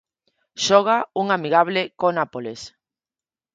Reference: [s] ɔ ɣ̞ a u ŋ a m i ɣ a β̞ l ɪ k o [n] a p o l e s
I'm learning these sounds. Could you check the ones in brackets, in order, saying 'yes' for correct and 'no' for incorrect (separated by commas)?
no, yes